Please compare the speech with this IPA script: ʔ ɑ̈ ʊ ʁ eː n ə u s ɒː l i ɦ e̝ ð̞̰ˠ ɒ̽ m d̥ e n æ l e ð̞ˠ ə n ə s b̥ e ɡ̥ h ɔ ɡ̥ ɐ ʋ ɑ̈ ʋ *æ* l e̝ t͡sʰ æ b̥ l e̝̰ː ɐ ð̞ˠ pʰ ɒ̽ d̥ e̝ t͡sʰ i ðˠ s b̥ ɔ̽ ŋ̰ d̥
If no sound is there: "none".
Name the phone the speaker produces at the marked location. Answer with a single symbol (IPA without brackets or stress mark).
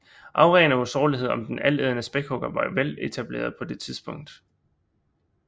e